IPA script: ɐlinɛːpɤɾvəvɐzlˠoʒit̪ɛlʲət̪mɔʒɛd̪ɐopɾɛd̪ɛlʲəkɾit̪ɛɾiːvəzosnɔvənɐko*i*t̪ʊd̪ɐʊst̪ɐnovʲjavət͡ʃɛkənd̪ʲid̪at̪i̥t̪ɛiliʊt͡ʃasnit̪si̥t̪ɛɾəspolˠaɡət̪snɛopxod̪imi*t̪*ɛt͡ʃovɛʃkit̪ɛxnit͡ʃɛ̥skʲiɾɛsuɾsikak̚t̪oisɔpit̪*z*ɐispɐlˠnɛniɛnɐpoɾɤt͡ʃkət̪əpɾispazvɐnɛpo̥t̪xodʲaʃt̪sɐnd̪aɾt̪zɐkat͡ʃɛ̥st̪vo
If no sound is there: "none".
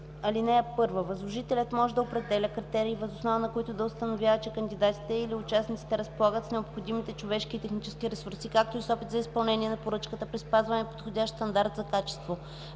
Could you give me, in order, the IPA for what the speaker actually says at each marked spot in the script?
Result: i, t̪, z

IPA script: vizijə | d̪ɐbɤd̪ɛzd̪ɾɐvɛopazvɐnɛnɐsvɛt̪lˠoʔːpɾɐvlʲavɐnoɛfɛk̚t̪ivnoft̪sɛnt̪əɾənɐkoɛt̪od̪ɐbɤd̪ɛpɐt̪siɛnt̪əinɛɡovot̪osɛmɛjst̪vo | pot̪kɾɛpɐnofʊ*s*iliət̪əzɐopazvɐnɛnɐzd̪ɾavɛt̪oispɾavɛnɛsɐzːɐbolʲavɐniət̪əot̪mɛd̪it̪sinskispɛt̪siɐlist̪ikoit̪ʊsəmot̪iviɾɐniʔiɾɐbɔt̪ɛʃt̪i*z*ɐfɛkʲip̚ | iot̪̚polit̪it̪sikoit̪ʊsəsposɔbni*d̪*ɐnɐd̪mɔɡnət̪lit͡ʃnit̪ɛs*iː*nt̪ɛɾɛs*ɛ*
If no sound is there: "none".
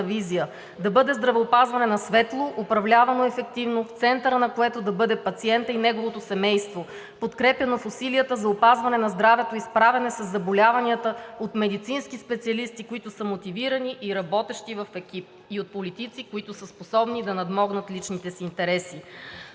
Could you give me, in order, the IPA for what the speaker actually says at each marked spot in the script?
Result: s, v, d̪, iː, i

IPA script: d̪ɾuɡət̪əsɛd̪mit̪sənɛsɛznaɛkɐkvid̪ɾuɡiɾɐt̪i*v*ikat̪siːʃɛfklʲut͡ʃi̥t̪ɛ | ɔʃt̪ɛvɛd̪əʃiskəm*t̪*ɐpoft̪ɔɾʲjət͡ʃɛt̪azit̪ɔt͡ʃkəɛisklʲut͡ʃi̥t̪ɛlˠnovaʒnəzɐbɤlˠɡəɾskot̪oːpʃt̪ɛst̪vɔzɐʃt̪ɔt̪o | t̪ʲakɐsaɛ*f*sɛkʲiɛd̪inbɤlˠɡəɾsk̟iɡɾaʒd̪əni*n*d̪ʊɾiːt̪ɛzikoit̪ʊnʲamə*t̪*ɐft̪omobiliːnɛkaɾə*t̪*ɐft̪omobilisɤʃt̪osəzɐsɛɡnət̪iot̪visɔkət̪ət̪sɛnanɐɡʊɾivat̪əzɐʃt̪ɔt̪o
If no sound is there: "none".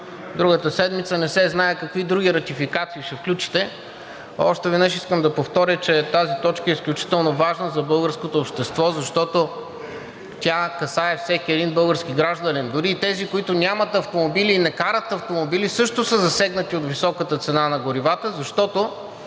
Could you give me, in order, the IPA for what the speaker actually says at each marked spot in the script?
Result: f, d̪, f, n, t̪, t̪

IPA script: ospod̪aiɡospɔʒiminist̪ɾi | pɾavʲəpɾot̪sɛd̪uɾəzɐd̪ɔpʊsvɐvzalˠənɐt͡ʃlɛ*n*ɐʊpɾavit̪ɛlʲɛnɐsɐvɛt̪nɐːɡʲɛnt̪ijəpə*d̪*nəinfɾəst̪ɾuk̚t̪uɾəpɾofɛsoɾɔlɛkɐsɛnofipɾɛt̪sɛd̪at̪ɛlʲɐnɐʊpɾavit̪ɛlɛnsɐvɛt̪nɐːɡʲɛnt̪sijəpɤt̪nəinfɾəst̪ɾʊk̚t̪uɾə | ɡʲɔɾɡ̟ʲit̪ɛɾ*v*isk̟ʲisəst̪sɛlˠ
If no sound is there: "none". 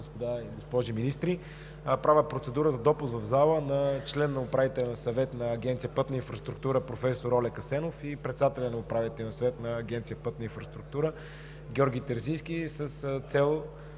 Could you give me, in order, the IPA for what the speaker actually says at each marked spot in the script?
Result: nː, t̪, z

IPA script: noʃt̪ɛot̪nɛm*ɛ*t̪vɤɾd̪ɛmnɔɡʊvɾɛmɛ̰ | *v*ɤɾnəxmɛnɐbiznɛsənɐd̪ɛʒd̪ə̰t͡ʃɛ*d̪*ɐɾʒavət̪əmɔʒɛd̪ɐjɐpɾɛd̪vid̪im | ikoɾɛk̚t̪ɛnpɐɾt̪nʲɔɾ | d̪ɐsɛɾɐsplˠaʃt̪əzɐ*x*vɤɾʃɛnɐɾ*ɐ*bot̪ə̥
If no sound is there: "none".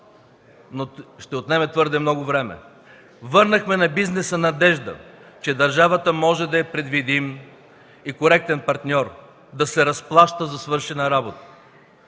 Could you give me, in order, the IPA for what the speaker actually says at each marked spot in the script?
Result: ɛ, v, d̪, s, a

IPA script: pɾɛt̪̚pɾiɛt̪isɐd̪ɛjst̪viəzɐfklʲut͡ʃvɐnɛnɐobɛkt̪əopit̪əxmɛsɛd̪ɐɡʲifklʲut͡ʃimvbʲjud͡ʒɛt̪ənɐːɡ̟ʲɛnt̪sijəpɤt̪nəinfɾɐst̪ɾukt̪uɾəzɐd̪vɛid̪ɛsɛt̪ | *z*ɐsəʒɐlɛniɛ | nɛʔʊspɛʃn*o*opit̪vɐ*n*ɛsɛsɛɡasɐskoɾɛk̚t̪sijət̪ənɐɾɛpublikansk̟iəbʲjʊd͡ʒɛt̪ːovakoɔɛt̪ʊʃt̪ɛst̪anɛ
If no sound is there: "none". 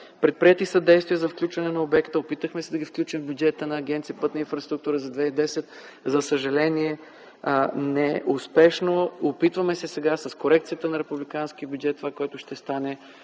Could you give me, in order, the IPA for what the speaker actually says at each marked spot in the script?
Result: z, o, m

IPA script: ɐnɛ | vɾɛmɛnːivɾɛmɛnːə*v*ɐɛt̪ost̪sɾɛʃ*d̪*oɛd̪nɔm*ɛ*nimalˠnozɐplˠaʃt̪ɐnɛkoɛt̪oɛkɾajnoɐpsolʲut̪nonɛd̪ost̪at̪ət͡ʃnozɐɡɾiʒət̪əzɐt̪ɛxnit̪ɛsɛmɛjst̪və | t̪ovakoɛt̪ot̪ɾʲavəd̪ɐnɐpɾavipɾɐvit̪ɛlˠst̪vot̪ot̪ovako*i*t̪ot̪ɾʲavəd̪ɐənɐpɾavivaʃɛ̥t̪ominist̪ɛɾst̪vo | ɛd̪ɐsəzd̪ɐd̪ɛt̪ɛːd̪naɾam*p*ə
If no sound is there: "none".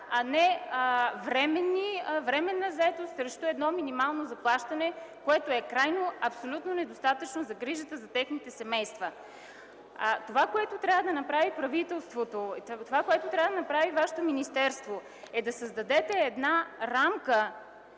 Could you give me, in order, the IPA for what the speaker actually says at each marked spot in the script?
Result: z, t̪, i, ɛ, k

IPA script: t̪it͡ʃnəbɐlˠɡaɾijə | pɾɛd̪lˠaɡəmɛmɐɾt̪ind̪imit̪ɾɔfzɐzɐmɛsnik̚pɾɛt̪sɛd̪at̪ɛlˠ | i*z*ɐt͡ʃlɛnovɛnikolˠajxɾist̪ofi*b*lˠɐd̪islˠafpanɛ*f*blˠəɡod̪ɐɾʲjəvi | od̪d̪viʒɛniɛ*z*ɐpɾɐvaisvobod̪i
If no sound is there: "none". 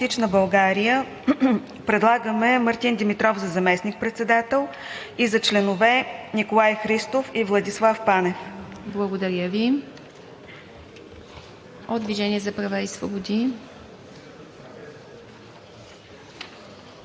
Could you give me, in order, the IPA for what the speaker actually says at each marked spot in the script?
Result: z, v, f, z

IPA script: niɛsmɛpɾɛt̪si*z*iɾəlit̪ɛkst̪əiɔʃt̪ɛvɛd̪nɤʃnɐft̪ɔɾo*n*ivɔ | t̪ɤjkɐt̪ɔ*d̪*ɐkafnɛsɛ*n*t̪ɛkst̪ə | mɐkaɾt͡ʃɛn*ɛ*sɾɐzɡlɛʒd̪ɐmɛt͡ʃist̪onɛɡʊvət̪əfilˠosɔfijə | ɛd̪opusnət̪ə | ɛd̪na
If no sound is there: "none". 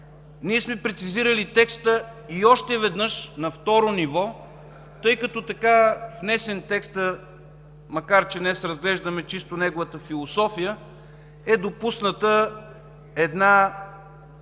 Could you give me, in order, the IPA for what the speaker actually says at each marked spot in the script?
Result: z, n, t̪, n, ɛ

